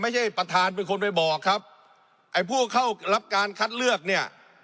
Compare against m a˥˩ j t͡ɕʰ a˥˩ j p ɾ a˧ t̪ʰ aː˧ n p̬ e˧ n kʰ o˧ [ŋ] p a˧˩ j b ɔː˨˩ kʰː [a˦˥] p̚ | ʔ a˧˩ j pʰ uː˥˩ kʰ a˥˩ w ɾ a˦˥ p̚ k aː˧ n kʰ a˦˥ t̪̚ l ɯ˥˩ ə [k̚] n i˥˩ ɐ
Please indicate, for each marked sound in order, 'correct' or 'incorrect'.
incorrect, correct, correct

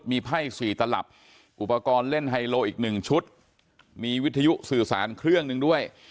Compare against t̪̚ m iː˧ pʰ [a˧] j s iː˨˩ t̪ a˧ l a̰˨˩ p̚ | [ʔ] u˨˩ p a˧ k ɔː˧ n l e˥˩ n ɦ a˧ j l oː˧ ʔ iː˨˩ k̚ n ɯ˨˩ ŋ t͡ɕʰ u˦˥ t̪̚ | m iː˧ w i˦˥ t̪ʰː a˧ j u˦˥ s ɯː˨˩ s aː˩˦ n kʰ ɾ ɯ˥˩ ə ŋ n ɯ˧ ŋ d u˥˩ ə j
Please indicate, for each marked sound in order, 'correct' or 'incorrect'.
incorrect, correct

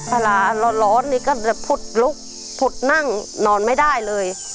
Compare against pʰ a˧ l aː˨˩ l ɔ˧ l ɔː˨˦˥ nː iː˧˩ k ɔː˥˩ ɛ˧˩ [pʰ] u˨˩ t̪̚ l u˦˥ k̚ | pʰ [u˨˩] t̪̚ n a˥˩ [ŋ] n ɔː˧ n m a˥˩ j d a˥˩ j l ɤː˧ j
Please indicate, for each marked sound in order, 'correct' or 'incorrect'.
correct, correct, correct

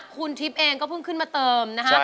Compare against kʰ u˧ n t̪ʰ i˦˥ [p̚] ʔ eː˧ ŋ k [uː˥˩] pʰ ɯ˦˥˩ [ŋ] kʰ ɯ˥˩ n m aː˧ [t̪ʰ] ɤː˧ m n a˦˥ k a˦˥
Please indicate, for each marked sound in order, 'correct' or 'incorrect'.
correct, incorrect, correct, incorrect

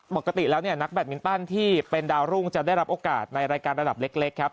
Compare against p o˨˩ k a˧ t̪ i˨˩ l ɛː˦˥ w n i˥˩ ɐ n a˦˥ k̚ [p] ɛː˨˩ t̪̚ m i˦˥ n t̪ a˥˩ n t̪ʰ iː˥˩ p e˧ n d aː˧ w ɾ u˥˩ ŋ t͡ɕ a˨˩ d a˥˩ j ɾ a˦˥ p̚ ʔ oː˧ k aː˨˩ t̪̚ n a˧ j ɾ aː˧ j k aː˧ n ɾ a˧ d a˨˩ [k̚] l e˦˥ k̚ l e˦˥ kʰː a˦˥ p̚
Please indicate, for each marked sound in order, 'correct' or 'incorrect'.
incorrect, incorrect

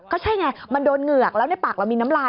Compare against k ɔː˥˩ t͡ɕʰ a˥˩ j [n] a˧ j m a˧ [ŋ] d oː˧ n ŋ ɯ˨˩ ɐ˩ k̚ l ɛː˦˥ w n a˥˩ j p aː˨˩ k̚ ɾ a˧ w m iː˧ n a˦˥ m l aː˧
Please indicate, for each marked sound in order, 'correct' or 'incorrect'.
incorrect, incorrect

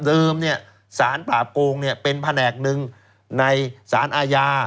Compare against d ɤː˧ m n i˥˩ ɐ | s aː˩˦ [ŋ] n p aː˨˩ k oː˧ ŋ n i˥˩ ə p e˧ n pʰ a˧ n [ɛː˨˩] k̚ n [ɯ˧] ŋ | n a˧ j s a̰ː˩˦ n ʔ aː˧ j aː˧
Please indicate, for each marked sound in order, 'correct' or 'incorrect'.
incorrect, correct, correct

